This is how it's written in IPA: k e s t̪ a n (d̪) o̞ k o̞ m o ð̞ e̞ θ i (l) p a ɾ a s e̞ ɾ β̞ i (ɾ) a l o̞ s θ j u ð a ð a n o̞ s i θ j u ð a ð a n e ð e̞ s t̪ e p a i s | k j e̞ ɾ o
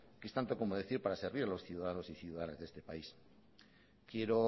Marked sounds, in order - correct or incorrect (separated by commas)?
incorrect, incorrect, correct